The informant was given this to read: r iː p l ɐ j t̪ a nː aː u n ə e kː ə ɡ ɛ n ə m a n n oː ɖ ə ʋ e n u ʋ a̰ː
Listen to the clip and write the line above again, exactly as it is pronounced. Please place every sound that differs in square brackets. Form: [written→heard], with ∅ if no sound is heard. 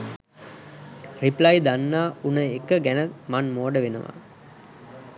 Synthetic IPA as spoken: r [iː→i] p l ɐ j [t̪→d̪] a nː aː u n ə e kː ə ɡ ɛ n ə m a n [n→m] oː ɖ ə ʋ e n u ʋ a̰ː